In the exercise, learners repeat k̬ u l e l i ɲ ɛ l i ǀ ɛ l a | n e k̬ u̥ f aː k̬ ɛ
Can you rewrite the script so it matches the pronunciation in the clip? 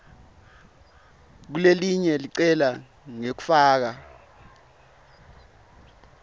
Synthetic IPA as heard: k̬ u l e l i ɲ ɛ l i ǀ ɛ l a | ŋ e k̬ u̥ f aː k̬ a